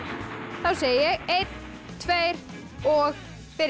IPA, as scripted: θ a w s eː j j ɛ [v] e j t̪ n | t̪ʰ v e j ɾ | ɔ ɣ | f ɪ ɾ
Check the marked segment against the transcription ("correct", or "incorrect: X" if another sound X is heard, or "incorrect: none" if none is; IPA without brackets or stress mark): incorrect: ɣ